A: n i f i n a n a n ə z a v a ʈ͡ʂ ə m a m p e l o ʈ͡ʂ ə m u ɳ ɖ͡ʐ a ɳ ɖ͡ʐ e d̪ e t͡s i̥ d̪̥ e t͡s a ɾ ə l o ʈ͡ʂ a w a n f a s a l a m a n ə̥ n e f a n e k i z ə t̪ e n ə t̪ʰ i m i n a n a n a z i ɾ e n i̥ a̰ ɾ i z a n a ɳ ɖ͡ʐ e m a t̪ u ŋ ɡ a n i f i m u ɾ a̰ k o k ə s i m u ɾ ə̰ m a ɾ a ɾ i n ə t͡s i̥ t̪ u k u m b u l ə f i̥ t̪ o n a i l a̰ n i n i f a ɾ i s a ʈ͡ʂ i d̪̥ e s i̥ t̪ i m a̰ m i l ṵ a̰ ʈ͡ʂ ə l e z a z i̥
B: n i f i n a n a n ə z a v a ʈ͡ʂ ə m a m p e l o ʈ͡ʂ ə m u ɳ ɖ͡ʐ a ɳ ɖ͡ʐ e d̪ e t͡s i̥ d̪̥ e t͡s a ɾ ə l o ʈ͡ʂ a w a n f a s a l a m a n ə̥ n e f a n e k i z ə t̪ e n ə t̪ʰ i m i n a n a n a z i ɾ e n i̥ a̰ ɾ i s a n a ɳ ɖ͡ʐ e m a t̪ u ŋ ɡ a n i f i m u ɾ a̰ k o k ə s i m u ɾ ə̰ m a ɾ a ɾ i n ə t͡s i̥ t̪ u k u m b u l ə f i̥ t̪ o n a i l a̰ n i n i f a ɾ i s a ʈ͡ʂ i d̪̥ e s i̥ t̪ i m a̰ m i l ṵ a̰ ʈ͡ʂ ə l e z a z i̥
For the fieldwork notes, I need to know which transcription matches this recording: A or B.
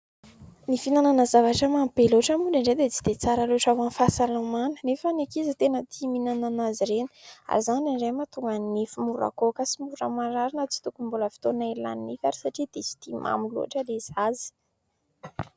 A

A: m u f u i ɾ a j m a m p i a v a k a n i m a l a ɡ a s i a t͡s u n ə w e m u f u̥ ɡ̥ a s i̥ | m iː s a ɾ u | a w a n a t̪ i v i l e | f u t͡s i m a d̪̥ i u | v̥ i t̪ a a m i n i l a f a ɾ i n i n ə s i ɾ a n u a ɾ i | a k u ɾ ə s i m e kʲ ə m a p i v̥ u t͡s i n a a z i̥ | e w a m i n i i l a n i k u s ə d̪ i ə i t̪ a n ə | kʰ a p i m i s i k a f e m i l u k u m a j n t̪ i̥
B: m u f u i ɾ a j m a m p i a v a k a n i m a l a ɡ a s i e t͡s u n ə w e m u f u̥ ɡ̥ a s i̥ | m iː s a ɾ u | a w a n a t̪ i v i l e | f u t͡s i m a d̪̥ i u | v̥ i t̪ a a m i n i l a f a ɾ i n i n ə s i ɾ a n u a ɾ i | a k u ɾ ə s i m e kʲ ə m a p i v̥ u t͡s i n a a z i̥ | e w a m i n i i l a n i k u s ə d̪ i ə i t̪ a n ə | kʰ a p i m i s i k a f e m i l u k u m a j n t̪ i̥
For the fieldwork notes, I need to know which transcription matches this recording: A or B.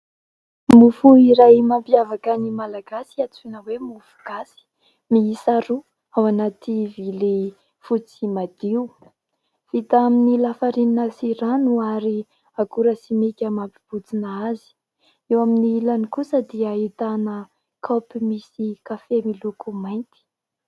A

